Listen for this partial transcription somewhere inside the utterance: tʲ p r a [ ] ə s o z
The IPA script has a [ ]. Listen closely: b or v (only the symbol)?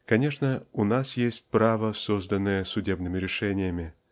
v